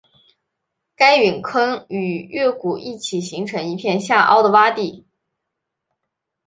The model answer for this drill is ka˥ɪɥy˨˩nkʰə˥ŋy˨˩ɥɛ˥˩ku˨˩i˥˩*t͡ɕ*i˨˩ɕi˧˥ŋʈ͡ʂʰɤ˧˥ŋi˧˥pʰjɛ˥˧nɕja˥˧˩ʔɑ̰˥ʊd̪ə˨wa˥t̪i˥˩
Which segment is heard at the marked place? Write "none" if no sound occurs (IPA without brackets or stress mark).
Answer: t͡ɕʰ